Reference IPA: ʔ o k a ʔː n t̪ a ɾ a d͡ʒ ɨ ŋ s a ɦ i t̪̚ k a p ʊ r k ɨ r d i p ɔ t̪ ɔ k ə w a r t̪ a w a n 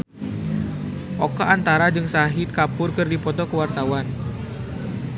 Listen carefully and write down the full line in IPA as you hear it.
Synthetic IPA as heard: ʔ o k a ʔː n t̪ a ɾ a d͡ʒ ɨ ŋ s a ɦ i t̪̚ k a p ʊ r k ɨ r d i p ɔ t̪ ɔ k ə w a r t̪ a w a n